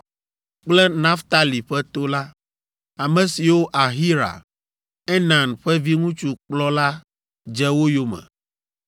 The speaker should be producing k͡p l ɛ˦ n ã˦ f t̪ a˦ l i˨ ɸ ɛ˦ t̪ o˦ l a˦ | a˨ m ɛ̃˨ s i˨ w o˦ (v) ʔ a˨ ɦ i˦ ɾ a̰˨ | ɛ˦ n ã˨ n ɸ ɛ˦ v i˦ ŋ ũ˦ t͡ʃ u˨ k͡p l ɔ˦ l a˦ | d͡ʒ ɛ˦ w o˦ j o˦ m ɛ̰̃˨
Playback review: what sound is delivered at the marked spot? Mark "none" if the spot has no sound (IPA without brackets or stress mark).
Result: none